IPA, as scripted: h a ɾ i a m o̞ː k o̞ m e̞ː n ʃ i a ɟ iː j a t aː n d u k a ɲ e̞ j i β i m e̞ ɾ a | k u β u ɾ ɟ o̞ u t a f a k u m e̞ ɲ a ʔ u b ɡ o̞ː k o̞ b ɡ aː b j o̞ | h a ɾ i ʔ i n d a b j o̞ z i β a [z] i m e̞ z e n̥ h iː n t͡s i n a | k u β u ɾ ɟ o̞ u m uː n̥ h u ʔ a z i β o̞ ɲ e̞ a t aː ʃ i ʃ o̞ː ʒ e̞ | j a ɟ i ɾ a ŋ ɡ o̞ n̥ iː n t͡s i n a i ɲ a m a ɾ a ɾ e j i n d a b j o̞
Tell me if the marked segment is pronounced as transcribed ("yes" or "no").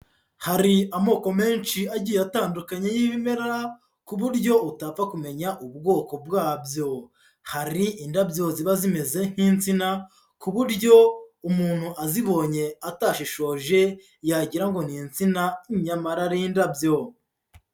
yes